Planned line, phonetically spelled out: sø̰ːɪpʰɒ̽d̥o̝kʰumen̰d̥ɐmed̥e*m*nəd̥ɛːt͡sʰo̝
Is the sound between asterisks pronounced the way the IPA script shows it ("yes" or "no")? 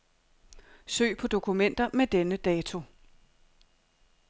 no